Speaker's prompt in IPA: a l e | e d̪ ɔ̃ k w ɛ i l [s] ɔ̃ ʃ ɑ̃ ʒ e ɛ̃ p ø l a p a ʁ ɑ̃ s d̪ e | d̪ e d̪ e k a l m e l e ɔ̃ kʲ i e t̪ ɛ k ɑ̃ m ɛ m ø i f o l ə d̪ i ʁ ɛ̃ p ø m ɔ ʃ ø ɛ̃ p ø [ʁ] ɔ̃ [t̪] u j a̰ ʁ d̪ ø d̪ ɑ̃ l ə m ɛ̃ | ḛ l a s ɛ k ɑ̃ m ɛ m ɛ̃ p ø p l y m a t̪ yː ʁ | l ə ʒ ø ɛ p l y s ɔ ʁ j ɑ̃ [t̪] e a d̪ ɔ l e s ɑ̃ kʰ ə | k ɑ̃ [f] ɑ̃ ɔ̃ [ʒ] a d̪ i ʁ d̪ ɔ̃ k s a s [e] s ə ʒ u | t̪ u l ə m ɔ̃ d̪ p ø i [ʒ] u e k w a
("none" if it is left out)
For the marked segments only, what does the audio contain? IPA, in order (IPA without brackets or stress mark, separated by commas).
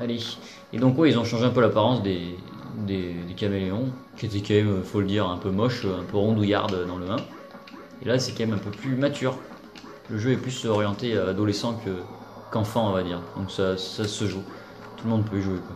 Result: z, ʁ, d̪, t̪, f, v, a, ʒ